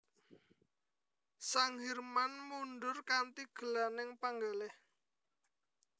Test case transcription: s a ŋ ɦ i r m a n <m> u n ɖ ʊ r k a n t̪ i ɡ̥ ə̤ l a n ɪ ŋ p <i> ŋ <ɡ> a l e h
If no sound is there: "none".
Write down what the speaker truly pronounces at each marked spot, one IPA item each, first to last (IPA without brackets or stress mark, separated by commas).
m, a, ɡ